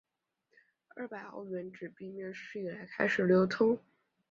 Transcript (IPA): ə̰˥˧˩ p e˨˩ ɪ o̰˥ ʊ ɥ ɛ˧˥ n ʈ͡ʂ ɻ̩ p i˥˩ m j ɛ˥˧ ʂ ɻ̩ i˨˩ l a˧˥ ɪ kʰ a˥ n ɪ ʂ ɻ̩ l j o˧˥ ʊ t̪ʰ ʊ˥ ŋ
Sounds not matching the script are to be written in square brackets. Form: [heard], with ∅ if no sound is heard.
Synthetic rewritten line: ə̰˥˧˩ p [a˨˩] ɪ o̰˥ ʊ ɥ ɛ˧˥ n ʈ͡ʂ ɻ̩ p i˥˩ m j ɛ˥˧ ʂ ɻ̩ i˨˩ l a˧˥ ɪ kʰ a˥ [∅] ɪ ʂ ɻ̩ l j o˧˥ ʊ t̪ʰ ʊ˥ ŋ